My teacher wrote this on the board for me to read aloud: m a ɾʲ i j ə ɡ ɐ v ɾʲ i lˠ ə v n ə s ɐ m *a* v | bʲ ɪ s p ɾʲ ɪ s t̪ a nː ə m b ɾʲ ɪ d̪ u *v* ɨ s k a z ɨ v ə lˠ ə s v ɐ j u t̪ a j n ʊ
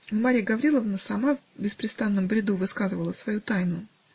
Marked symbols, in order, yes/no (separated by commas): yes, yes